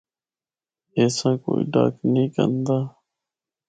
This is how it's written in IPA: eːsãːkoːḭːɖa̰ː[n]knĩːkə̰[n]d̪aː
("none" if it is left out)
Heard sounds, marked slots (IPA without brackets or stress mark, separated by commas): none, n